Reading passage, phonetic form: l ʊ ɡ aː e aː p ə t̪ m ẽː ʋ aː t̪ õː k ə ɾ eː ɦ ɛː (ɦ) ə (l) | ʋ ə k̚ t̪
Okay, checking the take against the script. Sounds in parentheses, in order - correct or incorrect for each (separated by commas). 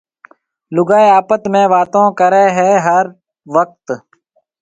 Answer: correct, incorrect